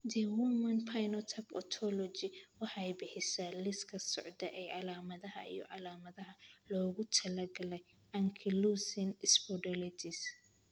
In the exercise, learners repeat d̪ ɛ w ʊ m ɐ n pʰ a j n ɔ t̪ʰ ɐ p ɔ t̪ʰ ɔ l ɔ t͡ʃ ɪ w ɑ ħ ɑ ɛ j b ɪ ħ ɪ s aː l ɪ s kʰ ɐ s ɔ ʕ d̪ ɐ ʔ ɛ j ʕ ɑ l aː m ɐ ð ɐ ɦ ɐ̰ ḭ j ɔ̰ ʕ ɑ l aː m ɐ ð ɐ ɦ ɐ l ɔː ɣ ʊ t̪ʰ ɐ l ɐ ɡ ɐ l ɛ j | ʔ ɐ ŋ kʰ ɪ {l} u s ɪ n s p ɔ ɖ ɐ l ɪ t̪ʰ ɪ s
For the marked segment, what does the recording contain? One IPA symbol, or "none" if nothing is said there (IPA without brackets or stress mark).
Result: l